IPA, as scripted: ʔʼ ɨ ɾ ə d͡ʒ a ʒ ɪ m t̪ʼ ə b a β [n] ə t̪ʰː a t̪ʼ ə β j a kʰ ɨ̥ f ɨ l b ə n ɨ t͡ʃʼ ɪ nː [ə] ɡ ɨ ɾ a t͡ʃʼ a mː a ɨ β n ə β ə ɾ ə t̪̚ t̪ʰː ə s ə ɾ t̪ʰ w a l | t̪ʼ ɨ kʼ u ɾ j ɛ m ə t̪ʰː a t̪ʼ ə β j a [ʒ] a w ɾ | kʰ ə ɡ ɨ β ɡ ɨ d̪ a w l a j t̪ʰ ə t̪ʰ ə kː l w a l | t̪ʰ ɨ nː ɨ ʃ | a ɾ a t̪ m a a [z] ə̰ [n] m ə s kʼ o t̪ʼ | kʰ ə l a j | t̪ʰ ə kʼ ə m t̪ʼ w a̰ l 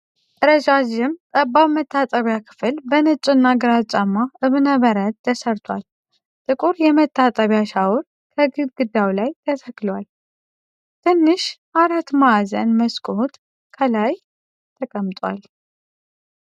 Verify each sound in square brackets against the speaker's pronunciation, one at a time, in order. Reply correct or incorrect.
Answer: incorrect, incorrect, incorrect, correct, correct

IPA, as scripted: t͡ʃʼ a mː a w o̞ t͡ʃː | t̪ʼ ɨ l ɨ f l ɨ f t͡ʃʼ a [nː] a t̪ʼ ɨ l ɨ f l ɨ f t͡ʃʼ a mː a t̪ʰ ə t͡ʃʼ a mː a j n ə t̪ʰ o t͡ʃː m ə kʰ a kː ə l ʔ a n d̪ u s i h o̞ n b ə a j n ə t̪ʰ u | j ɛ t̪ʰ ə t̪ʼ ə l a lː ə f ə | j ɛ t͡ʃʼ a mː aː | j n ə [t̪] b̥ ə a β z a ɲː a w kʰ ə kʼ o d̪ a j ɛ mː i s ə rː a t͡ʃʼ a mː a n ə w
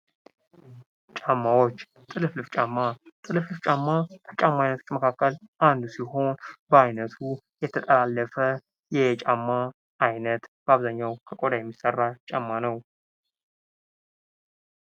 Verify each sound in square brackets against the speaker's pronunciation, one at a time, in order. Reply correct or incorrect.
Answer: incorrect, correct

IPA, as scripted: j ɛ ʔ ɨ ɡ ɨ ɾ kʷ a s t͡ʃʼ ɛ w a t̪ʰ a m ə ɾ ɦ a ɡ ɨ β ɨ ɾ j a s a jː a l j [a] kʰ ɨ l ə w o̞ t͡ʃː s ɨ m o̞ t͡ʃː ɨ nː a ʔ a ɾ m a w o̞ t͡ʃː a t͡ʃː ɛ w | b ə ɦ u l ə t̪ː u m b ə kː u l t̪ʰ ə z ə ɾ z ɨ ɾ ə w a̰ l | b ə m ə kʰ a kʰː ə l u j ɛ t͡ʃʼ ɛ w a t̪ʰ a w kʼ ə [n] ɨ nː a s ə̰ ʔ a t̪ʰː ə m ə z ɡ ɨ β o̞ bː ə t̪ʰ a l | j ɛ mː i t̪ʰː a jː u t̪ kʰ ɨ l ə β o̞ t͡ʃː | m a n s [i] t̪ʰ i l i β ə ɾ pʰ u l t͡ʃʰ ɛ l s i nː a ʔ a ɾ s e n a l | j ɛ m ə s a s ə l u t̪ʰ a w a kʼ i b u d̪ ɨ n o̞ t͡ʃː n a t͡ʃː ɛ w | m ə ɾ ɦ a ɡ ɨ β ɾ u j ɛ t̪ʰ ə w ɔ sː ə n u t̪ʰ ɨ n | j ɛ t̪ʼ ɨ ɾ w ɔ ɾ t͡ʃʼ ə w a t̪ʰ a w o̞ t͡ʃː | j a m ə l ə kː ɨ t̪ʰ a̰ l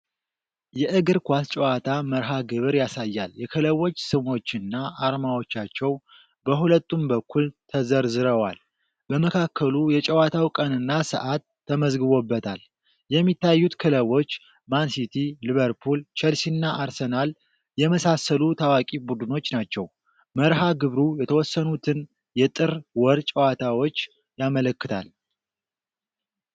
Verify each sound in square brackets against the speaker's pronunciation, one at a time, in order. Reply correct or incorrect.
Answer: incorrect, correct, correct

